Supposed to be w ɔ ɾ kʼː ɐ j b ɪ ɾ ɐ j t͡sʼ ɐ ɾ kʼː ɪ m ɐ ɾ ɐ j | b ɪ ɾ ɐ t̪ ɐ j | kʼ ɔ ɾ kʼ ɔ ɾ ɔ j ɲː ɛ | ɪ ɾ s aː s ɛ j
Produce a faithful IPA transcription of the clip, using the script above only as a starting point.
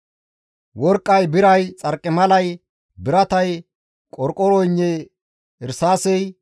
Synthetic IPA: w ɔ ɾ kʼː ɐ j b ɪ ɾ ɐ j t͡sʼ ɐ ɾ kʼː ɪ m ɐ l ɐ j | b ɪ ɾ ɐ t̪ ɐ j | kʼ ɔ ɾ kʼ ɔ ɾ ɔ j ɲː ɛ | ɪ ɾ s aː s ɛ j